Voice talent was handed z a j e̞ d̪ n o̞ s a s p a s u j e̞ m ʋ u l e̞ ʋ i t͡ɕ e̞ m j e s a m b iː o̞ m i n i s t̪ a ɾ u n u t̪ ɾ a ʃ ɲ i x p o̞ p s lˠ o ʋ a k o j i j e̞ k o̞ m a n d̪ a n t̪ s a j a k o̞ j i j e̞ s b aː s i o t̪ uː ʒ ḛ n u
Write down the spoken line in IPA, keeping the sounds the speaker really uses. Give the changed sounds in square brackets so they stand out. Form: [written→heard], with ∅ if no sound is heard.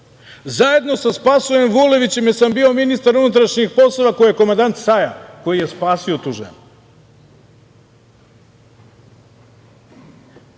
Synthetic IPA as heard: z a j e̞ d̪ n o̞ s a s p a s u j e̞ m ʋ u l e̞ ʋ i t͡ɕ e̞ m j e s a m b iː o̞ m i n i s t̪ a ɾ u n u t̪ ɾ a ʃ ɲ i x p o̞ [p→∅] s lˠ o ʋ a k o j i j e̞ k o̞ m a n d̪ a n t̪ s a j a k o̞ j i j e̞ s [b→p] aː s i o t̪ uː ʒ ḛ n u